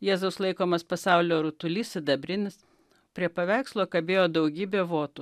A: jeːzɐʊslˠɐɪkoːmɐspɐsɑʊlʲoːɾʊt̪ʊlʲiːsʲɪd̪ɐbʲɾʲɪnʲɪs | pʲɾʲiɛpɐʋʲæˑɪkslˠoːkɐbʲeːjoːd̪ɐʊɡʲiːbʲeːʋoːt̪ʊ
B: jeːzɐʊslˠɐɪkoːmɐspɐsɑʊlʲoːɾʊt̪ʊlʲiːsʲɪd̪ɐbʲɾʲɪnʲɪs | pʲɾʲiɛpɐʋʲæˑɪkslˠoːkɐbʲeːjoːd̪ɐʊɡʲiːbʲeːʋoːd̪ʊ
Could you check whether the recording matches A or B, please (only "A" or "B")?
A